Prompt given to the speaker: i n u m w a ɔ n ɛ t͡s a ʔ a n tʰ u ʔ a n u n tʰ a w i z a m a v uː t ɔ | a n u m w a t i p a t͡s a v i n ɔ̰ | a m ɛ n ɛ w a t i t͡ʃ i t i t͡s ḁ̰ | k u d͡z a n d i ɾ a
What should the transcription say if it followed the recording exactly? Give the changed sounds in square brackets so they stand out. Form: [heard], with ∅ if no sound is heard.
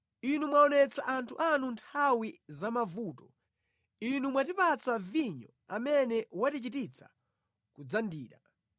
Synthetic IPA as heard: i n u m w a ɔ n ɛ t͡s a ʔ a n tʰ u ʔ a n u n tʰ a w i z a m a v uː t ɔ | [i] n u m w a t i p a t͡s a v i [ɲ] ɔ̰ | a m ɛ n ɛ w a t i t͡ʃ i t i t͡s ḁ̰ | k u d͡z a n d [iː] ɾ a

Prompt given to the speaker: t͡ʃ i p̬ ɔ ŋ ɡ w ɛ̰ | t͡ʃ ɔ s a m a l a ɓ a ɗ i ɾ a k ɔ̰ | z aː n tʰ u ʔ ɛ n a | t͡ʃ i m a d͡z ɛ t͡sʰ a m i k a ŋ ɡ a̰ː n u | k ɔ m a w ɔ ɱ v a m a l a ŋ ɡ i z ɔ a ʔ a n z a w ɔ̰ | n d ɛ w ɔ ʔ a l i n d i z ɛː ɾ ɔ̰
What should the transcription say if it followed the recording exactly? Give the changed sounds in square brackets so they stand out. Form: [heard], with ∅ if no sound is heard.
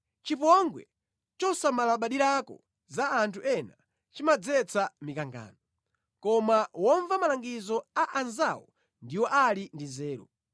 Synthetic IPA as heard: t͡ʃ i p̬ ɔ ŋ ɡ w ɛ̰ | t͡ʃ ɔ s a m a l a ɓ a ɗ i ɾ a k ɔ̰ | z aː n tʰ u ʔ ɛ n a | t͡ʃ i m a d͡z ɛ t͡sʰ a m i k a ŋ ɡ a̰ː n [ɔ] | k ɔ m a w ɔ ɱ v a m a l a ŋ ɡ i z ɔ a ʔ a n z a w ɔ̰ | n d [i] w ɔ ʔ a l i n d i z ɛː ɾ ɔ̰

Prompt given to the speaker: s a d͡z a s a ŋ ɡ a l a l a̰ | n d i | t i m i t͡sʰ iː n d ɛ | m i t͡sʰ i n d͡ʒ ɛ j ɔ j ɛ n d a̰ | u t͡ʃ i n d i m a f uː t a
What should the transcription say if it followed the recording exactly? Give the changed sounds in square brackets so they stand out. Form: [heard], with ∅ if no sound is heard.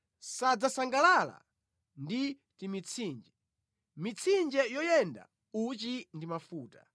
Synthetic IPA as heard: s a d͡z a s a ŋ ɡ a l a l a̰ | n d i | t i m i t͡sʰ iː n [d͡ʒ] ɛ | m i t͡sʰ i n d͡ʒ ɛ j ɔ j ɛ n d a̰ | u t͡ʃ i n d i m a f uː t a

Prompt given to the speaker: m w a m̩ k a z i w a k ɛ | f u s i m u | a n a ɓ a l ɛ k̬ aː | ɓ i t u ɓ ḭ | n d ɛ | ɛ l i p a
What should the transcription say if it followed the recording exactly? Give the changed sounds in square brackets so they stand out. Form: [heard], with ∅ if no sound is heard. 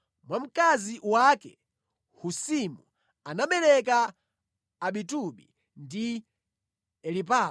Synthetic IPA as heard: m w a m̩ k a z i w a k ɛ | [h] u s i m u | a n a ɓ [ɛ] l ɛ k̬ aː | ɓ i t u ɓ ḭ | n d [i] | ɛ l i p a

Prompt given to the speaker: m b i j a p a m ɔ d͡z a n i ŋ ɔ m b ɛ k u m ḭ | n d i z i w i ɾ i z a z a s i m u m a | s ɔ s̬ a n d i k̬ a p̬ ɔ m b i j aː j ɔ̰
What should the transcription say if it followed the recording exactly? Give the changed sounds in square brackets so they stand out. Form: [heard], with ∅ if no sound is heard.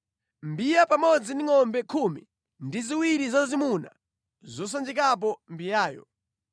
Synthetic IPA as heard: m b i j a p a m ɔ d͡z [i] n i ŋ ɔ m b ɛ [kʰ] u m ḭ | n d i z i w i ɾ i z a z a [z] i m u [n] a | [z] ɔ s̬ a n [d͡ʒ] i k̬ a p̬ ɔ m b i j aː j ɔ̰

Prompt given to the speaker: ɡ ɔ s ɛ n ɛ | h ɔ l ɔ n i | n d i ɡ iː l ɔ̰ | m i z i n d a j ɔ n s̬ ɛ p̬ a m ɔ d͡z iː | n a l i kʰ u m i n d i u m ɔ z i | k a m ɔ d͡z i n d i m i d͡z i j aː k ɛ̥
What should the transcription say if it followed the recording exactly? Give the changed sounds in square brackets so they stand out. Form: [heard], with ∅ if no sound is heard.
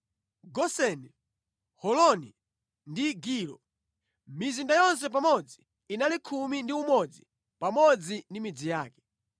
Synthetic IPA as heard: ɡ ɔ s ɛ n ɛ | h ɔ l ɔ n i | n d i ɡ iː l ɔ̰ | m i z i n d a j ɔ n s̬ ɛ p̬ a m ɔ d͡z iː | n a l i kʰ u m i n d i u m ɔ [d͡z] i | [p] a m ɔ d͡z i n d i m i d͡z i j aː k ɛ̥

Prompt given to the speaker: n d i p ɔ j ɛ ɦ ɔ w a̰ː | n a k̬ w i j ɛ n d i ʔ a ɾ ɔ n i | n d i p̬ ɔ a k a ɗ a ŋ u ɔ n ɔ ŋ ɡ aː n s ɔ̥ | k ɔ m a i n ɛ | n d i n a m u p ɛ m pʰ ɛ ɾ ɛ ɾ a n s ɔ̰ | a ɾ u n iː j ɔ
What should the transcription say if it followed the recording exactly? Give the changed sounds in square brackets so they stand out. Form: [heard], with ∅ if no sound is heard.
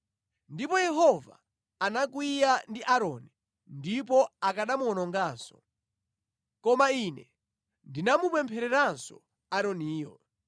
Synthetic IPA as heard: n d i p ɔ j ɛ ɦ ɔ [v] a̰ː | n a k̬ w i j [a] n d i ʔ a ɾ ɔ n i | n d i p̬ ɔ a k a ɗ a [m] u ɔ n ɔ ŋ ɡ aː n s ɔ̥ | k ɔ m a i n ɛ | n d i n a m u p ɛ m pʰ ɛ ɾ ɛ ɾ a n s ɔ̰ | a ɾ [ɔ] n iː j ɔ

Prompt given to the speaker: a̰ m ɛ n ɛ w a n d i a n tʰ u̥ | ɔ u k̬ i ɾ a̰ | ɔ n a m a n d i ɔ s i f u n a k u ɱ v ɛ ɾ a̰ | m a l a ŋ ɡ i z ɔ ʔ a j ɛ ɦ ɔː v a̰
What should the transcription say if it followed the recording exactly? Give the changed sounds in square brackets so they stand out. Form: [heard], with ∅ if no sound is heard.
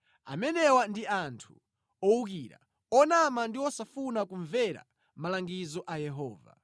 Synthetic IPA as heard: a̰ m ɛ n ɛ w a n d i a n tʰ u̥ | ɔ u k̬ i ɾ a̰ | ɔ n a m a n d i ɔ s [a] f u n a k u ɱ v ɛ ɾ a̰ | m a l a ŋ ɡ i z ɔ ʔ a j ɛ ɦ ɔː v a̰

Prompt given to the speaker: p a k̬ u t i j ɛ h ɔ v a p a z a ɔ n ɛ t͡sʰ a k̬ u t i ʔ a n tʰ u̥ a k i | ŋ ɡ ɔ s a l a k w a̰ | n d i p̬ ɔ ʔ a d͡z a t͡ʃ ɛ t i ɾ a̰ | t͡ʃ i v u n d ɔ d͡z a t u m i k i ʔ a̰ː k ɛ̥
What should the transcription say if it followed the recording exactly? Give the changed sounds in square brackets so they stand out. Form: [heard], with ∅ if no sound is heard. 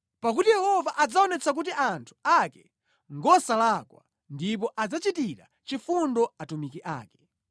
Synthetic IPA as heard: p a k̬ u t i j ɛ h ɔ v a [ʔ] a [d͡z] a ɔ n ɛ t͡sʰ a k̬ u t i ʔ a n tʰ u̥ a k [ɛ] | ŋ ɡ ɔ s a l a k w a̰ | n d i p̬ ɔ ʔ a d͡z a t͡ʃ [i] t i ɾ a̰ | t͡ʃ i [f] u n d ɔ [∅] a t u m i k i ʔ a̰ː k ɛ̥

